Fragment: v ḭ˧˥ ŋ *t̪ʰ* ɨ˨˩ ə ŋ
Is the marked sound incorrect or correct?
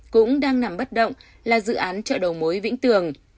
incorrect